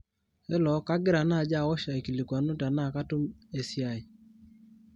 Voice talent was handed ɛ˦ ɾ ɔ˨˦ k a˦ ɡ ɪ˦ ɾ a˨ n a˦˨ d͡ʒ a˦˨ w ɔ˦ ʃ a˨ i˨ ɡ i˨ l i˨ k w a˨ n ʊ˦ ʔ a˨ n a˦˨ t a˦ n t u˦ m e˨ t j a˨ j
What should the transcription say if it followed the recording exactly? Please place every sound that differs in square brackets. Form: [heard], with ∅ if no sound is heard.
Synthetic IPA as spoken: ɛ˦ [l] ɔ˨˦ k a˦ ɡ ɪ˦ ɾ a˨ n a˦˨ d͡ʒ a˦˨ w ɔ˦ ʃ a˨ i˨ [k] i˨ l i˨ k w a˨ n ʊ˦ [t] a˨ n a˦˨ [k] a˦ [∅] t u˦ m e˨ [s] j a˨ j